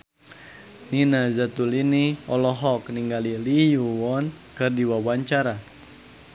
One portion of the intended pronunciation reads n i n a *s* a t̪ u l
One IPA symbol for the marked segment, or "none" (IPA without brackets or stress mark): z